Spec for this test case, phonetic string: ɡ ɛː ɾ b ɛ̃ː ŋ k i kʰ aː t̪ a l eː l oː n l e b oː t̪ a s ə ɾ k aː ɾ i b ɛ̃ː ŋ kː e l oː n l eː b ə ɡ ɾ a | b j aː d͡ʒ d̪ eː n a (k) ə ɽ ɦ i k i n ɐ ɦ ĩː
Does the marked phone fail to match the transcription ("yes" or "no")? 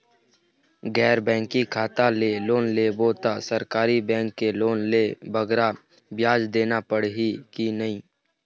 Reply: yes